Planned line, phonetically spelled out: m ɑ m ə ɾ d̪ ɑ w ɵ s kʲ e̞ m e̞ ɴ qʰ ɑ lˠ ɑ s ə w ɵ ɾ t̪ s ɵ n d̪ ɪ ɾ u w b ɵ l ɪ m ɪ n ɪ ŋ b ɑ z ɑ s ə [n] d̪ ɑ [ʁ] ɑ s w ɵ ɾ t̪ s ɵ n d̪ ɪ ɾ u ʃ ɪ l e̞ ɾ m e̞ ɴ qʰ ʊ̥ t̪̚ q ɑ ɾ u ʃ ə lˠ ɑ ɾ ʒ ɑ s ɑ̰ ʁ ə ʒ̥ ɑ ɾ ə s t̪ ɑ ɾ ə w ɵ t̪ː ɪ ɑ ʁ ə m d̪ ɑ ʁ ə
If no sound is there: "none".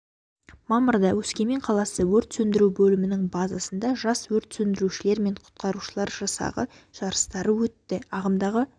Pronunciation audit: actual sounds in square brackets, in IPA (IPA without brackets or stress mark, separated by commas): n, ʒ